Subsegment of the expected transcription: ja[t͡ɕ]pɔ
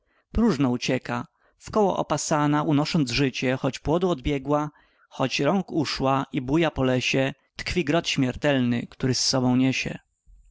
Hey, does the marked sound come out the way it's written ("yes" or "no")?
no